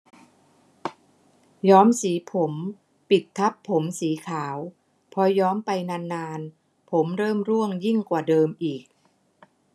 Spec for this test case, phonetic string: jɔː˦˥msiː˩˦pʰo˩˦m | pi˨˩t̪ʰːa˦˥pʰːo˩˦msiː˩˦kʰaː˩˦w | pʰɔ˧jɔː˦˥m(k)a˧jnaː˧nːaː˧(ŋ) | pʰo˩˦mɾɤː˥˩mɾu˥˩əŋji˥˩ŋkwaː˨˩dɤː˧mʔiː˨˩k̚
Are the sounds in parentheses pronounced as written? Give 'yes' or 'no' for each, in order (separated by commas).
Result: no, no